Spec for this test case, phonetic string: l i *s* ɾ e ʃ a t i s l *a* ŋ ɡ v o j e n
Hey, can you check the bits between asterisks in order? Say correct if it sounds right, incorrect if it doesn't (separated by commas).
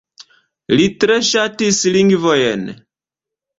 incorrect, incorrect